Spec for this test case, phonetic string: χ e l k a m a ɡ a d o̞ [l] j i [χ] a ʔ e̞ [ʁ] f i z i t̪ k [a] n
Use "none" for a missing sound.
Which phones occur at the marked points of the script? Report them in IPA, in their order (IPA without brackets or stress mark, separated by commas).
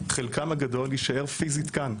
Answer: l, ʃ, ʁ, a